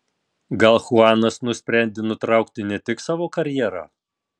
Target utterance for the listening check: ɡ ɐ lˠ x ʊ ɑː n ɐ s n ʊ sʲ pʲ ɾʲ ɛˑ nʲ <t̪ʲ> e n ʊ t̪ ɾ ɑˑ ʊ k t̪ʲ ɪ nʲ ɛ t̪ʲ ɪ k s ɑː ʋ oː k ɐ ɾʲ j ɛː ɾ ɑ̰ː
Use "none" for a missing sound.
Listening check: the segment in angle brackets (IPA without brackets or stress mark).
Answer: d̪ʲ